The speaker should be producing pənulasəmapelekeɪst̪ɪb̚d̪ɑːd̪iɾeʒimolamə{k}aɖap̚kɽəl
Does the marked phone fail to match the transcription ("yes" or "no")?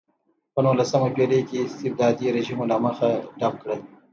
yes